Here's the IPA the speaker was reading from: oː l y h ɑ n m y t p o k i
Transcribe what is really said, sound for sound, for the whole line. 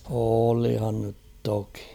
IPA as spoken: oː l i h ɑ n n y t t o k i